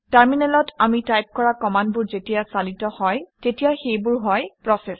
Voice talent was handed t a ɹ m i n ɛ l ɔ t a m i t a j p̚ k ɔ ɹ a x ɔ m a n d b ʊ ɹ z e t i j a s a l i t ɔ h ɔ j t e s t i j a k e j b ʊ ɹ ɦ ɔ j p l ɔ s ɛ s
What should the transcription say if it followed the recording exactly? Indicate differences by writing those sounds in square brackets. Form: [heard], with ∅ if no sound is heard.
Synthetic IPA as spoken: t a ɹ m i n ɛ l ɔ t a m i t a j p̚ k ɔ ɹ a [k] ɔ m a n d b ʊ ɹ z e t i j a s a l i t ɔ h ɔ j t e [∅] t i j a [x] e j b ʊ ɹ ɦ ɔ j p [ɹ] ɔ s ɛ s